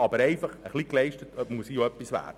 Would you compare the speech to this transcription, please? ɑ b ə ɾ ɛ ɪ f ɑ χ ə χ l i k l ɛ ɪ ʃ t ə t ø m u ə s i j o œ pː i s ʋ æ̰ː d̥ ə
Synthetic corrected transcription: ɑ b ə ɾ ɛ ɪ f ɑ χ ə χ l i k l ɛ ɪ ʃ t ə t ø m u ə s i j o œ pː i s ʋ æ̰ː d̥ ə